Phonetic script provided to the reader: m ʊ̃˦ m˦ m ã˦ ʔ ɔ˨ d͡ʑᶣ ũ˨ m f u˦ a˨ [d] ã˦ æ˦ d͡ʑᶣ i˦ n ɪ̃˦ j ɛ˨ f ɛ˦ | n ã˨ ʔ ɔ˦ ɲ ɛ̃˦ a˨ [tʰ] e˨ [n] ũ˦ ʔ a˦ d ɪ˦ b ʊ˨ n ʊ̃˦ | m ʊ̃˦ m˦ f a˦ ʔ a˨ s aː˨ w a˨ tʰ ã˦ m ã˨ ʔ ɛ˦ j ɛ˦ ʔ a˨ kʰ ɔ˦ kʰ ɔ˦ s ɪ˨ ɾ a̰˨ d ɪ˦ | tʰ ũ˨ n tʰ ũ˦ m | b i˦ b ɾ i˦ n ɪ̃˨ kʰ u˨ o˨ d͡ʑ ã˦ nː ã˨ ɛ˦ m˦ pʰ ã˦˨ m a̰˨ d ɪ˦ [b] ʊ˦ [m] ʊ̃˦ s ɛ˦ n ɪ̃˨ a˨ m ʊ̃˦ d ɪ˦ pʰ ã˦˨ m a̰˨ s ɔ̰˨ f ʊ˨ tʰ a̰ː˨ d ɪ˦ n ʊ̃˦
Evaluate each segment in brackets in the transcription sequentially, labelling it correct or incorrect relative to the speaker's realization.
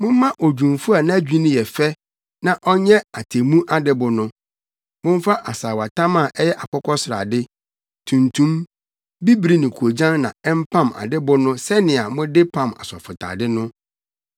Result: incorrect: n, correct, incorrect: m, correct, incorrect: n

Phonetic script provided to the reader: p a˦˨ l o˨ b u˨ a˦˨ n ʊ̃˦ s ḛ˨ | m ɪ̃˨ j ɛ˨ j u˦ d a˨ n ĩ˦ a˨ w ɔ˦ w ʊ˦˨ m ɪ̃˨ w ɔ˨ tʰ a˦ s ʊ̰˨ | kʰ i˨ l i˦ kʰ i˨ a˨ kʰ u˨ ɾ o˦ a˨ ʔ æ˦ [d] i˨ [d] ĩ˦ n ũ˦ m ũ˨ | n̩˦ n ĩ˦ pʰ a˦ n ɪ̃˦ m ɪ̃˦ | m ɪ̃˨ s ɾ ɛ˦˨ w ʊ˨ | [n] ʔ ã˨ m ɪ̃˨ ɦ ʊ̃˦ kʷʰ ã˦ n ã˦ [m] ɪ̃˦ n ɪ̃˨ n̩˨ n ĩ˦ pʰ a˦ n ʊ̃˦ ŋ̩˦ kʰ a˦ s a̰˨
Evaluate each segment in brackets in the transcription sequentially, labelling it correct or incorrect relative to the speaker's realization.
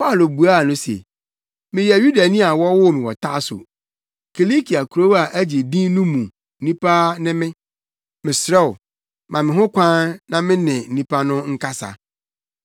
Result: incorrect: d͡ʑ, correct, incorrect: m, correct

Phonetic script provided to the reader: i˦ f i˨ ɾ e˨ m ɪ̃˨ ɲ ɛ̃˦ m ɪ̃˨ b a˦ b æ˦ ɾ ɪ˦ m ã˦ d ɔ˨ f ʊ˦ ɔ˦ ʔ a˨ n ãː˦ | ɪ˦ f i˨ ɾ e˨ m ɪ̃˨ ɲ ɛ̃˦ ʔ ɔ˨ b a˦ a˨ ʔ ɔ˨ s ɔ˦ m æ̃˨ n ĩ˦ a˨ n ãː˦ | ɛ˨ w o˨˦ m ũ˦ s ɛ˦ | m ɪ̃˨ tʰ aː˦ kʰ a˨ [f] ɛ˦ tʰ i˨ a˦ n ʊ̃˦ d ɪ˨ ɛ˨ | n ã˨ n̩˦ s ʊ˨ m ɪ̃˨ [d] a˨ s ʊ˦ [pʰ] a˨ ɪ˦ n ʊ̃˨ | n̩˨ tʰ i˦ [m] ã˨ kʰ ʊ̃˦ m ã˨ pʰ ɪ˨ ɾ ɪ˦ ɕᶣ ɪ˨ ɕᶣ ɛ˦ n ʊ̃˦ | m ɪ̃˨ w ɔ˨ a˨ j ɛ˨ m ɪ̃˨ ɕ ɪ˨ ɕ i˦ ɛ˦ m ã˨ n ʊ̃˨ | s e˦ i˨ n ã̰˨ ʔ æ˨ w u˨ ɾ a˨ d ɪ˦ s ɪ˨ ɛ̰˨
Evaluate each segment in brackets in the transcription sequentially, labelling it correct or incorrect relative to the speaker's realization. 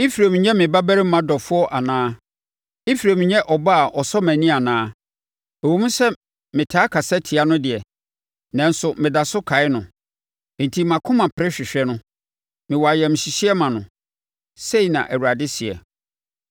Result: incorrect: s, correct, incorrect: kʰ, correct

